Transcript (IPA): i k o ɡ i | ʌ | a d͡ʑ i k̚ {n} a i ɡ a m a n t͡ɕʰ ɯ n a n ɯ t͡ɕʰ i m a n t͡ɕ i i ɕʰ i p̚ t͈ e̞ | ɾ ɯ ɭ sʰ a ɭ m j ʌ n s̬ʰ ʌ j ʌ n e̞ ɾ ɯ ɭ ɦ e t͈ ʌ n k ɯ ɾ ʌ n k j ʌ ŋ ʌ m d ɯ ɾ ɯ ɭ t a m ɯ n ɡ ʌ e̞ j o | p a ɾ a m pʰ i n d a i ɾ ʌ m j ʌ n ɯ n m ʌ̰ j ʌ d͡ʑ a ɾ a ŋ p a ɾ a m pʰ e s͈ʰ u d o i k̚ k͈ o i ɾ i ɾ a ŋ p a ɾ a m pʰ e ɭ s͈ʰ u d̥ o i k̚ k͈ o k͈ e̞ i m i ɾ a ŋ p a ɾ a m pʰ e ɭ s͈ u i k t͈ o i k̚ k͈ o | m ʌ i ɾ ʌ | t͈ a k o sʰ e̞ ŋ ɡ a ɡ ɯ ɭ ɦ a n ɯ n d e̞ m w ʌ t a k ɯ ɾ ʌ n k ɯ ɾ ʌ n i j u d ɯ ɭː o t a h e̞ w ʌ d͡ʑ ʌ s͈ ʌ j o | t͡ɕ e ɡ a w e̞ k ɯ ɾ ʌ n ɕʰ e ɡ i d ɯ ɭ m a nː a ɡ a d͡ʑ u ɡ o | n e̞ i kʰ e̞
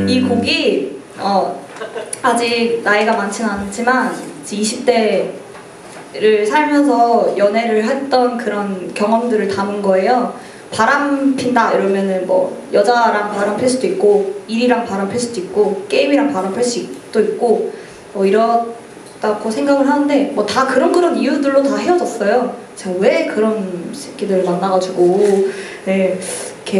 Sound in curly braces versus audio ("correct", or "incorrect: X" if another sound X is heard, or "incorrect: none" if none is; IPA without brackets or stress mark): correct